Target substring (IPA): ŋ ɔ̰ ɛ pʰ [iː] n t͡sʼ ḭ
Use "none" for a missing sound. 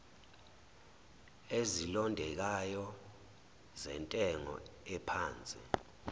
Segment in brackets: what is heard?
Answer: aː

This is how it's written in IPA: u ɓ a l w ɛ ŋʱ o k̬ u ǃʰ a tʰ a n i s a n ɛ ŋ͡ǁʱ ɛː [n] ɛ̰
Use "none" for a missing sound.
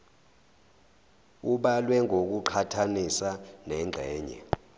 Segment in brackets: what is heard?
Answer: ɲ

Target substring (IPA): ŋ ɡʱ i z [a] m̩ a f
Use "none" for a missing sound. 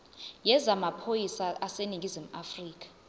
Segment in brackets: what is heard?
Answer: i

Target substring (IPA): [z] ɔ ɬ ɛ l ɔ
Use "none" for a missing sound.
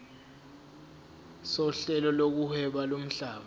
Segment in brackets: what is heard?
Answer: s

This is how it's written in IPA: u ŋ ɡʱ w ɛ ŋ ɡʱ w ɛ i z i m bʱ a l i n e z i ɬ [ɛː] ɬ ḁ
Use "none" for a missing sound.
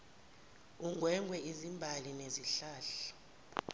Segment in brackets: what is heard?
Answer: aː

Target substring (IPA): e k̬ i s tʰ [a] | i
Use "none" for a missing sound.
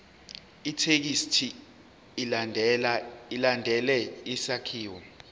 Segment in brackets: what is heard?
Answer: i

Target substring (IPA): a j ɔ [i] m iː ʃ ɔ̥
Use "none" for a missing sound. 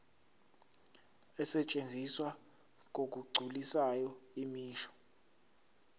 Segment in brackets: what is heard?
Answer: i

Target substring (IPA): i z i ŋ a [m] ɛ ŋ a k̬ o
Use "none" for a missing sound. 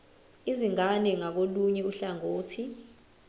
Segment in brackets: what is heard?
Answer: n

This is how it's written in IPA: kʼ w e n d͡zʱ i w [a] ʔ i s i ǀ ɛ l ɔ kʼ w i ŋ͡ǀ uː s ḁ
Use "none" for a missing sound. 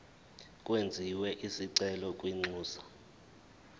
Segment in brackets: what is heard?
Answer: ɛ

